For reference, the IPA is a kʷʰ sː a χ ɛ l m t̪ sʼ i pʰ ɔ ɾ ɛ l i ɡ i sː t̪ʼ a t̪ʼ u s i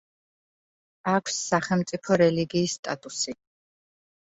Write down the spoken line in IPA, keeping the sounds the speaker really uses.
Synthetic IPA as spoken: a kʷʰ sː a χ ɛ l m t̪ sʼ i pʰ ɔ ɾ ɛ l i ɡ iː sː t̪ʼ a t̪ʼ u s i